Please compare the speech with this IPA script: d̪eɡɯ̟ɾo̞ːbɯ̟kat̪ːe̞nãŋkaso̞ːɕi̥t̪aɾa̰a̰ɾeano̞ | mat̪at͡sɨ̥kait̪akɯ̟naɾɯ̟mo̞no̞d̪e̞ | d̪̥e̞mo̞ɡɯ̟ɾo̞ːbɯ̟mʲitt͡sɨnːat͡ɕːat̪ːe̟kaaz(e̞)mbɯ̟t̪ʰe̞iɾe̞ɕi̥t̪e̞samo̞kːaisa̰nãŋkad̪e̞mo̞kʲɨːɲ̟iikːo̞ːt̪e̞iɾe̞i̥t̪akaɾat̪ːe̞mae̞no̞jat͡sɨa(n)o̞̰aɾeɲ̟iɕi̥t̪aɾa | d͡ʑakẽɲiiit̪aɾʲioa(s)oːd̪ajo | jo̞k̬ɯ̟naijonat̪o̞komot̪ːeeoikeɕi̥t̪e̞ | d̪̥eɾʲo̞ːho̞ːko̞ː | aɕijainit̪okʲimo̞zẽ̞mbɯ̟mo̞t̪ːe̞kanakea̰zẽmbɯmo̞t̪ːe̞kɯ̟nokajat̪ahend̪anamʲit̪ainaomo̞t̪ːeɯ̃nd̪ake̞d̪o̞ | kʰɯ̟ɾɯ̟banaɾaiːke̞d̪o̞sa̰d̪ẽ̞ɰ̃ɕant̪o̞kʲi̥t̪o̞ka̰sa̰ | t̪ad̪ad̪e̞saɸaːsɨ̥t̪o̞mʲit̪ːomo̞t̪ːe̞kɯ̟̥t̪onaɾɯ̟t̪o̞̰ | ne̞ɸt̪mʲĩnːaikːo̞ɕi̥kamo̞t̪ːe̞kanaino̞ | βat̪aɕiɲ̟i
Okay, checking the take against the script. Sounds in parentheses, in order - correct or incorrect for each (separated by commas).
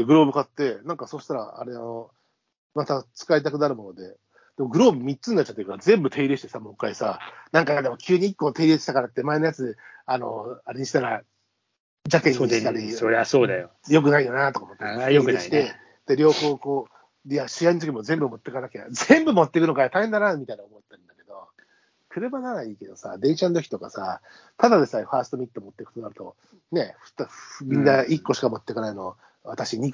incorrect, correct, correct